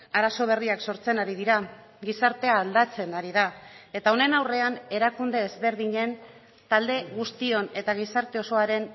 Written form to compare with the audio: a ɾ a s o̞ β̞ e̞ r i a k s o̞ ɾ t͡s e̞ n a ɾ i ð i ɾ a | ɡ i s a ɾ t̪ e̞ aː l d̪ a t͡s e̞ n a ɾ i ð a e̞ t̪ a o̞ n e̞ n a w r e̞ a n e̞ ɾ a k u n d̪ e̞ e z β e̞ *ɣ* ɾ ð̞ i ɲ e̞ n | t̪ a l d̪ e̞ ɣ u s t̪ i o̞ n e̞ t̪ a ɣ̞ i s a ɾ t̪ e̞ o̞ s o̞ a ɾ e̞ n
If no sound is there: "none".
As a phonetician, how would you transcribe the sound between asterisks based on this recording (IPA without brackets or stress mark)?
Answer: none